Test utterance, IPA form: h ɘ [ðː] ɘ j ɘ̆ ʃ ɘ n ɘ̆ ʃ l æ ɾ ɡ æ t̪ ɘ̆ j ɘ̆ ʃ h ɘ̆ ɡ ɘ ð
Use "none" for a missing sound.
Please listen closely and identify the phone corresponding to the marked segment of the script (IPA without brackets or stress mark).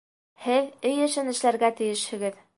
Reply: ð